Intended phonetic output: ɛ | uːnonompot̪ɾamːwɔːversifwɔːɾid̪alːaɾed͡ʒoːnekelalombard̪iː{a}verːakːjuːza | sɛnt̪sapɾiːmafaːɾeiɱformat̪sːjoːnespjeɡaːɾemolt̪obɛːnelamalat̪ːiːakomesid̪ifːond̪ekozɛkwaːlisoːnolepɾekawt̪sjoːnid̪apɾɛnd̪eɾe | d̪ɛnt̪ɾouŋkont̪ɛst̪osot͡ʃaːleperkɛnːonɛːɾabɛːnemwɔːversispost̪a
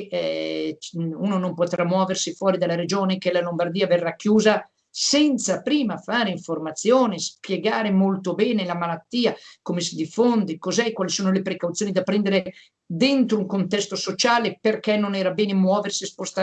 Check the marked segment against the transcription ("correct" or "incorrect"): correct